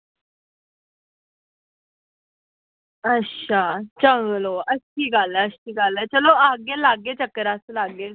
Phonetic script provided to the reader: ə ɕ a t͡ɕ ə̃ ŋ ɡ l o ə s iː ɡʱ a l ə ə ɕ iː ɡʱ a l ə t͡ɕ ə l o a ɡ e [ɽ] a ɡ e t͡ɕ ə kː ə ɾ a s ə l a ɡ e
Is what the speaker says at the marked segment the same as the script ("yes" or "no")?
no